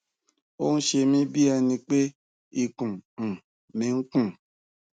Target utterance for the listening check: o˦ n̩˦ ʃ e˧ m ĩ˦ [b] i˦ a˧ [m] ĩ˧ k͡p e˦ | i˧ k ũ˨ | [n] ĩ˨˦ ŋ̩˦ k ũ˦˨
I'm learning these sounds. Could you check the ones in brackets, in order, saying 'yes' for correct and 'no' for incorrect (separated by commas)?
yes, no, no